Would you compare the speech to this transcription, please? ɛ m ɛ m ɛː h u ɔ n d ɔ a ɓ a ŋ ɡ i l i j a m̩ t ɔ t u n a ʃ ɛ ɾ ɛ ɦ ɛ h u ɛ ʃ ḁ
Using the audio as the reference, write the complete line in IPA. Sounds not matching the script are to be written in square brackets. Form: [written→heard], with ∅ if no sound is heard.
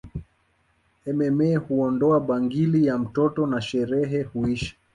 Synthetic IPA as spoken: ɛ m ɛ m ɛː h u ɔ n d ɔ a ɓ a ŋ ɡ i l i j a m̩ t ɔ t [u→ɔ] n a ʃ ɛ ɾ ɛ ɦ ɛ h u [ɛ→i] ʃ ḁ